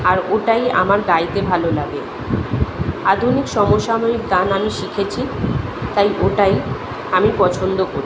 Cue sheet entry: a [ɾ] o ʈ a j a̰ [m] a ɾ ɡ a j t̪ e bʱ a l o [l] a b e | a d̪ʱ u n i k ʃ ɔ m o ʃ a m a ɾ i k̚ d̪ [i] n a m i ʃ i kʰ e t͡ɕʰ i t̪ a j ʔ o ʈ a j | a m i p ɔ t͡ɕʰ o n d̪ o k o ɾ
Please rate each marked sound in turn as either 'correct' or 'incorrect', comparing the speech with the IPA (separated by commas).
correct, correct, correct, incorrect